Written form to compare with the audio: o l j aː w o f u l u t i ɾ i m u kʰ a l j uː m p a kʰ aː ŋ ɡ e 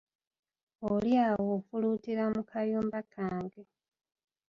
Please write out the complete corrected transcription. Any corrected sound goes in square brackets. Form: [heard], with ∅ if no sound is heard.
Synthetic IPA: o l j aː w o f u l u t i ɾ [a] m u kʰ a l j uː m [b] a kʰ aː ŋ ɡ e